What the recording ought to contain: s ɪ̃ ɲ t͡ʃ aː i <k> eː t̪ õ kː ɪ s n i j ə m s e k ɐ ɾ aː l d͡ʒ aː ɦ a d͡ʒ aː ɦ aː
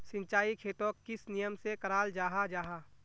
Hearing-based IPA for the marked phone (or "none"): kʰ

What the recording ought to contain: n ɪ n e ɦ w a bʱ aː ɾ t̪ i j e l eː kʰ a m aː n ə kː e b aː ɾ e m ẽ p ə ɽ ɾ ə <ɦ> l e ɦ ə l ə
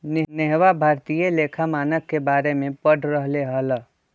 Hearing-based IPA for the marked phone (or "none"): ɦ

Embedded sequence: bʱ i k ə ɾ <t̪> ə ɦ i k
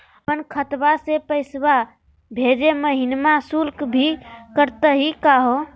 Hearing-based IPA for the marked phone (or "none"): t̪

